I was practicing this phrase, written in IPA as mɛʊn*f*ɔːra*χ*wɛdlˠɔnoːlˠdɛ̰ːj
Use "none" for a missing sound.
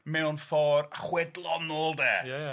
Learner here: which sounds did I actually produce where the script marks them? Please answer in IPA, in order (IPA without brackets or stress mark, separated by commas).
f, χ